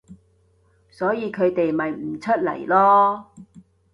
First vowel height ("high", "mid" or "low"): mid